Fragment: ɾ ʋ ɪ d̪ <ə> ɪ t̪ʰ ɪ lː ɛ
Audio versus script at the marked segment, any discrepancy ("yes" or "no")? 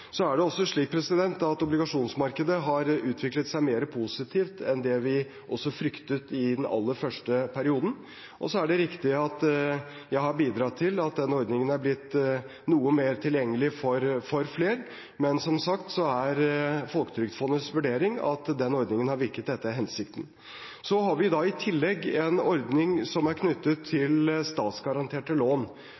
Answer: yes